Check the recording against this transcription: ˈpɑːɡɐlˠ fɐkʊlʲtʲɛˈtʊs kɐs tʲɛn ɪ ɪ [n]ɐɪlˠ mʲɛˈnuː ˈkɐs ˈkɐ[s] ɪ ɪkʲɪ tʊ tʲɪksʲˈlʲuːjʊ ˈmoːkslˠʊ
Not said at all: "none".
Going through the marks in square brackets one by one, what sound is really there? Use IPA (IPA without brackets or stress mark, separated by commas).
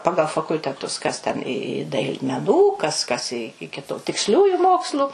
d, s